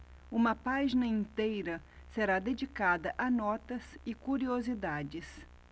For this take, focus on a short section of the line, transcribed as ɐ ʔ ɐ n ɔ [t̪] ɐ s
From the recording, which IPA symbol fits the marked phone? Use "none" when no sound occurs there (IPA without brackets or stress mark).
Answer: t̪